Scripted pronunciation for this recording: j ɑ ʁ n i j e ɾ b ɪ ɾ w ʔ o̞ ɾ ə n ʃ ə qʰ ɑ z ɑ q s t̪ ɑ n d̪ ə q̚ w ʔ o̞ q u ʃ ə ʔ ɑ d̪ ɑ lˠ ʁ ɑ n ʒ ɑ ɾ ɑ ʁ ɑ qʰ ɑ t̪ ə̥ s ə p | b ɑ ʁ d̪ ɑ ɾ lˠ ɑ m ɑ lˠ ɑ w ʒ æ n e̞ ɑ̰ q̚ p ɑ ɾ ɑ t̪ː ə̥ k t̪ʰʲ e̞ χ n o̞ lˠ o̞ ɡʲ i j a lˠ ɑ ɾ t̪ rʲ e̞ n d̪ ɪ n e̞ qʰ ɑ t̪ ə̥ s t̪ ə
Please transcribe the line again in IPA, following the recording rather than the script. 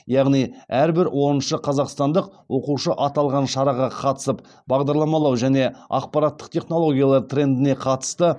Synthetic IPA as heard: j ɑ ʁ n i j æ ɾ b ɪ ɾ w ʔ o̞ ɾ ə n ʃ ə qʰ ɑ z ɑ q s t̪ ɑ n d̪ ə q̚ w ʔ o̞ q u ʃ ə ʔ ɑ t̪ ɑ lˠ ʁ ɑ n ʃ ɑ ɾ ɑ ʁ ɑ qʰ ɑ t̪ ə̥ s ə p | b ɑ ʁ d̪ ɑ ɾ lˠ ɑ m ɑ lˠ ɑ w ʒ æ n e̞ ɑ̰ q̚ p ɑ ɾ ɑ t̪ː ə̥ q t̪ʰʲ e̞ χ n o̞ lˠ o̞ ɡʲ i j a lˠ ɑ ɾ t̪ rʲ e̞ n d̪ ɪ n e̞ qʰ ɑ t̪ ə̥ s t̪ ə